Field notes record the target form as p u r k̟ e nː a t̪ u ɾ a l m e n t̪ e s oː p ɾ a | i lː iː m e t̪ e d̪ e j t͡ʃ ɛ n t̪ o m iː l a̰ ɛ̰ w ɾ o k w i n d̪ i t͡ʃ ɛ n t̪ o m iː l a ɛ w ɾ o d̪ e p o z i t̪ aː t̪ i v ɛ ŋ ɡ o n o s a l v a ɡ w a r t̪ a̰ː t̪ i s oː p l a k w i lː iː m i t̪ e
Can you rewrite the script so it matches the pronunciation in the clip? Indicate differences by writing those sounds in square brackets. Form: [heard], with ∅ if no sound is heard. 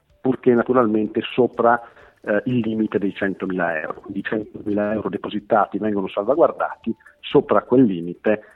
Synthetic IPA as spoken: p u r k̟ e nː a t̪ u ɾ a l m e n t̪ e s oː p ɾ a | i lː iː m [i] t̪ e d̪ e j t͡ʃ ɛ n t̪ o m iː l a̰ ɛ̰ w ɾ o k w i n d̪ i t͡ʃ ɛ n t̪ o m iː l a ɛ w ɾ o d̪ e p o z i t̪ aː t̪ i v ɛ ŋ ɡ o n o s a l v a ɡ w a r [d̪] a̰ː t̪ i s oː p [ɾ] a k w [e] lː iː m i t̪ e